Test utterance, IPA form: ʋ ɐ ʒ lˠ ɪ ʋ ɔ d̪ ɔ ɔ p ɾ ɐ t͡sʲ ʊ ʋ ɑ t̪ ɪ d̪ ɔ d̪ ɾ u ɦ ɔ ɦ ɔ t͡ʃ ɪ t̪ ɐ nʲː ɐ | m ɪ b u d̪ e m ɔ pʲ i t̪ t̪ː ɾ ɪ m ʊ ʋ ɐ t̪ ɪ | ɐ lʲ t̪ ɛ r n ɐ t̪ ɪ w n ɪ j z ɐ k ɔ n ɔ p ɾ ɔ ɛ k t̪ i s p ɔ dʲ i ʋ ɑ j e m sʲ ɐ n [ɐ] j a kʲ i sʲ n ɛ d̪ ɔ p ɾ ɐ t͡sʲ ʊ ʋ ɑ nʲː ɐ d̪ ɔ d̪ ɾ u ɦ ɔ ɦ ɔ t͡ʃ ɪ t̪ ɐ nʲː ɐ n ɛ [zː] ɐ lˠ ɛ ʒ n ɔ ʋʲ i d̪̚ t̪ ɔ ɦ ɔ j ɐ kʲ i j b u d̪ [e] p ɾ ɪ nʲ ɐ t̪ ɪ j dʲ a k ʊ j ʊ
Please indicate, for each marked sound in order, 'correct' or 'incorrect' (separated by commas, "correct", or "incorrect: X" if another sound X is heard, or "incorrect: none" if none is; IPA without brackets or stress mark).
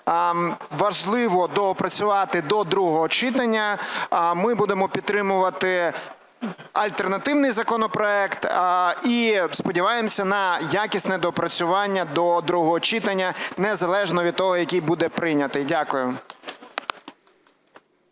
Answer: correct, incorrect: z, incorrect: ɛ